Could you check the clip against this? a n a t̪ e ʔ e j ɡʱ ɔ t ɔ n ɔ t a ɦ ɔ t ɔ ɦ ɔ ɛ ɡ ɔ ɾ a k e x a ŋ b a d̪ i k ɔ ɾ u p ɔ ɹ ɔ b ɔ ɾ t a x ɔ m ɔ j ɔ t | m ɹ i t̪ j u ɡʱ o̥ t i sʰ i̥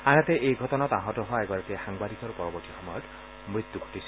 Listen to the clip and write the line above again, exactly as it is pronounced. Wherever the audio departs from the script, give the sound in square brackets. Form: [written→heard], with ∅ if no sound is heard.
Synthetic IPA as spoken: a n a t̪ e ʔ e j ɡʱ ɔ t ɔ n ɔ t a ɦ ɔ t ɔ ɦ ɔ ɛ ɡ ɔ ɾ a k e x a ŋ b a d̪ i k ɔ ɾ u p ɔ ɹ ɔ b ɔ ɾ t [a→i] x ɔ m ɔ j ɔ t | m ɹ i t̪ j u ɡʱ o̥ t i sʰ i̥